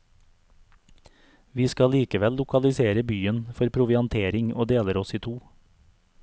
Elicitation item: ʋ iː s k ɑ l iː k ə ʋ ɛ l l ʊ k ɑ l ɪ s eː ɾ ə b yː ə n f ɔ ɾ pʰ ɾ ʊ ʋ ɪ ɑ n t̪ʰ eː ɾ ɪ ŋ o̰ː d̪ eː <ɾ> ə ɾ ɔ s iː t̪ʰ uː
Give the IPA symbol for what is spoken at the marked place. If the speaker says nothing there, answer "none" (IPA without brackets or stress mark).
l